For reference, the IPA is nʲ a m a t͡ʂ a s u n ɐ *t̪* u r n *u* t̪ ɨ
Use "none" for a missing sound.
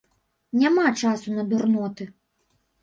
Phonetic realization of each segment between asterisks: d̪, ɔ

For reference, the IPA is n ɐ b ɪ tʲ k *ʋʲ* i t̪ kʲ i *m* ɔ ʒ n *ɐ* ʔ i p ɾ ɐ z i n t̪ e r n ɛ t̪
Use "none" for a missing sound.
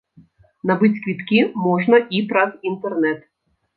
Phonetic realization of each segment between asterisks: ʋʲ, m, ɐ

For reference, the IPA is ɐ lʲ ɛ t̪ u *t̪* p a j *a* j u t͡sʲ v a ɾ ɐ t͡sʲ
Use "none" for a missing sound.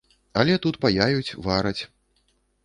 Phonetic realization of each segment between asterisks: t̪, a

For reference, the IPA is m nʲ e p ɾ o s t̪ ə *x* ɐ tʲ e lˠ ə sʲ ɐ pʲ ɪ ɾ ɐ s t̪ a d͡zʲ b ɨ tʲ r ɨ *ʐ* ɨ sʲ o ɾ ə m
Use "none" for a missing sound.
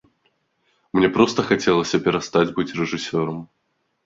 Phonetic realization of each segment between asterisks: x, ʐ

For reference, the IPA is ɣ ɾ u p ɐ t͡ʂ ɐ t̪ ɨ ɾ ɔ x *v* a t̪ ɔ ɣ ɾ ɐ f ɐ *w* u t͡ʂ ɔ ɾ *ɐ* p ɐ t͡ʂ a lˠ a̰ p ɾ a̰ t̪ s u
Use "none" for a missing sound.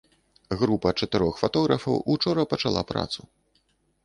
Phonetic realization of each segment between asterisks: f, w, ɐ

